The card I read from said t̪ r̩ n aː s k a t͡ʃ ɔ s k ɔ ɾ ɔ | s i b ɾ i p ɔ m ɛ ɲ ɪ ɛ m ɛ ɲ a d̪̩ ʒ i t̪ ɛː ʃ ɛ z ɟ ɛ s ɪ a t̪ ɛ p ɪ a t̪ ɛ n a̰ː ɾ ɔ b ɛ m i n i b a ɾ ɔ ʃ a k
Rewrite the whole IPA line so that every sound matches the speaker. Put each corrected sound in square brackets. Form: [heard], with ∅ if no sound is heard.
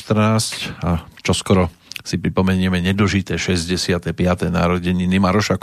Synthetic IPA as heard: t̪ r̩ n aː s [c] a t͡ʃ ɔ s k ɔ ɾ ɔ | s i [p] ɾ i p ɔ m ɛ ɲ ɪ ɛ m ɛ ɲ [ɛ] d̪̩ ʒ i t̪ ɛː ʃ ɛ z ɟ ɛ s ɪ a t̪ ɛ p ɪ a t̪ ɛ n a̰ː ɾ ɔ [ɟ] ɛ [ɲ] i n i [m] a ɾ ɔ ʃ a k